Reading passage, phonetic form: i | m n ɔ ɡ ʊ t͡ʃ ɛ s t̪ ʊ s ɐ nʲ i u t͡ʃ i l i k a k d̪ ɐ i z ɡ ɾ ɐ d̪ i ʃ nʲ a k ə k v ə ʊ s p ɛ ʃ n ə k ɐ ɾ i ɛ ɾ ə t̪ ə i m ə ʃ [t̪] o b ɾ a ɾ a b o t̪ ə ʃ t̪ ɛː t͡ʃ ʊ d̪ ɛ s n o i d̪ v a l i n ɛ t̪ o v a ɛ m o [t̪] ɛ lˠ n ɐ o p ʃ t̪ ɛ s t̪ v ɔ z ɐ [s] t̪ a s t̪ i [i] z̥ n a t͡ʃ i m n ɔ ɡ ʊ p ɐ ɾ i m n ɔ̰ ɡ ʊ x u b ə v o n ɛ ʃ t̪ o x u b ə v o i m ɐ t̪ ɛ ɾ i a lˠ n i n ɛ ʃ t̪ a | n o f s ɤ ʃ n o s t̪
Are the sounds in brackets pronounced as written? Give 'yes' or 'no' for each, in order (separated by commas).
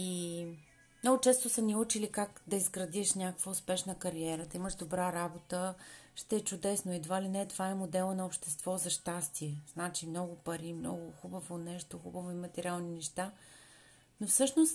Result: no, no, no, no